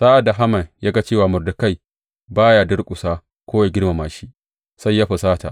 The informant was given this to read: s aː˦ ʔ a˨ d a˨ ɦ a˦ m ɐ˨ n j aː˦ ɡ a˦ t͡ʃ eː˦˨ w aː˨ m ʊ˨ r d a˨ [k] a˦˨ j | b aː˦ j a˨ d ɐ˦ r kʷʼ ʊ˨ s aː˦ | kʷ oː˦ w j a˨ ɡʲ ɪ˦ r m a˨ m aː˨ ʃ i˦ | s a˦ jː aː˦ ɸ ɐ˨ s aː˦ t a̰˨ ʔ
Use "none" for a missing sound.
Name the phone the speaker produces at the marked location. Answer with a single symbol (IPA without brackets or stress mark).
k